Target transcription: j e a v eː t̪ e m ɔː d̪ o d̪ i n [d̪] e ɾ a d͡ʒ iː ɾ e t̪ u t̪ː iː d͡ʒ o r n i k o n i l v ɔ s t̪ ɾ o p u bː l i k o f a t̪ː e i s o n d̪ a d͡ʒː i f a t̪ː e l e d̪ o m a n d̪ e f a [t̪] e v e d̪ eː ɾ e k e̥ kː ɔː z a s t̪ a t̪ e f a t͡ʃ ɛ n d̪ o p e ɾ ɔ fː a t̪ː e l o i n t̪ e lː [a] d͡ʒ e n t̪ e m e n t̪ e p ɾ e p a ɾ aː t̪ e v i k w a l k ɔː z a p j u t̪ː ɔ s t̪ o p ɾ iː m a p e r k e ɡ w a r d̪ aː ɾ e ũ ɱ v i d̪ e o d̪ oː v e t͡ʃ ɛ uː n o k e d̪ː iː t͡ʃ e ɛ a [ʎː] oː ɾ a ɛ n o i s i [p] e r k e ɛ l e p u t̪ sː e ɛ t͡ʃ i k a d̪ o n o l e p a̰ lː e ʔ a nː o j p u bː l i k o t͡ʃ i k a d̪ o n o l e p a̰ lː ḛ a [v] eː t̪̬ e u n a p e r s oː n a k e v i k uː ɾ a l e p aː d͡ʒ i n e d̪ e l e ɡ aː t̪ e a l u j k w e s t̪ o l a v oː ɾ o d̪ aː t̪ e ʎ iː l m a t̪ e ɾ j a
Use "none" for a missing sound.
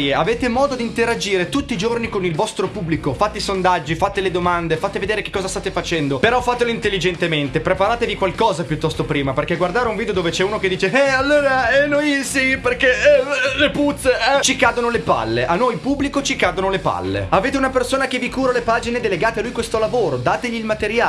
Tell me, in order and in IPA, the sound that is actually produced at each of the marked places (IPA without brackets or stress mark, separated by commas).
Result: t̪, t̪, i, lː, p, v